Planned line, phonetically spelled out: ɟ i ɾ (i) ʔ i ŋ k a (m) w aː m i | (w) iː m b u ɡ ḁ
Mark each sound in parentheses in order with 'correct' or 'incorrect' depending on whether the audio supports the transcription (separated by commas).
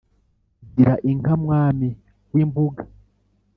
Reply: incorrect, correct, correct